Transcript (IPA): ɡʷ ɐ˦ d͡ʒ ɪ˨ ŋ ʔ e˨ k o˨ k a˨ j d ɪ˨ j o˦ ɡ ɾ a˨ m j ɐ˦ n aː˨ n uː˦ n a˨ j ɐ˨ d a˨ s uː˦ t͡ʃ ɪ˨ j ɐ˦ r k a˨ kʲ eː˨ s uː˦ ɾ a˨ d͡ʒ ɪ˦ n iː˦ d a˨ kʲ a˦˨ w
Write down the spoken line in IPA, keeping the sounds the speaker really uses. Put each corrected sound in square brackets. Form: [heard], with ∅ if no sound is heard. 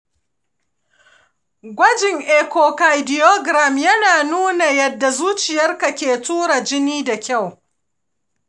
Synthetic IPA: ɡʷ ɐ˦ d͡ʒ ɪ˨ ŋ ʔ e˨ k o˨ k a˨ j d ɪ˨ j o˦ ɡ ɾ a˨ m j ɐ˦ n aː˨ n uː˦ n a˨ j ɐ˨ [dː] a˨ [z] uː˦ t͡ʃ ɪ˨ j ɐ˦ r k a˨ kʲ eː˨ [t] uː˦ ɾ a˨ d͡ʒ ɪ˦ n iː˦ d a˨ kʲ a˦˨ w